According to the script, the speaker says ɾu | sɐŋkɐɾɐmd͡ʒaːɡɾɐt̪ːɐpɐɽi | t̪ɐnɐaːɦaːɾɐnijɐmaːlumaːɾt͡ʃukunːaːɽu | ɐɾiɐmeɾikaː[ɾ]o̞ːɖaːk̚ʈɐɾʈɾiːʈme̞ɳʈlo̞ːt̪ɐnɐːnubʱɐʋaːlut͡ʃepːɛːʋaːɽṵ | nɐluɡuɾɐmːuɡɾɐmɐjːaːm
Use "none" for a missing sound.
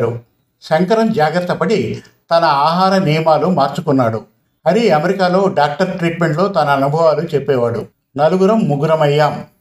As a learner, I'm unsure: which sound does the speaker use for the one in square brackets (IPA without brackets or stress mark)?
l